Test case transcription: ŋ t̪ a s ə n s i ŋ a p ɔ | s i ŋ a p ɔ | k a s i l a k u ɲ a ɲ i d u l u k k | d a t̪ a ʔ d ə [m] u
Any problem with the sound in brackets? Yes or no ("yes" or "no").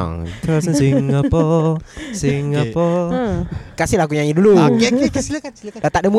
no